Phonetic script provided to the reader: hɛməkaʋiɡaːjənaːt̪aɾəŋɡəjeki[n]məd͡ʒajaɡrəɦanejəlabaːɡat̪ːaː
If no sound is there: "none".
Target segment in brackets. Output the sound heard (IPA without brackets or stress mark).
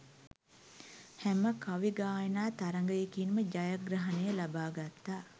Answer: n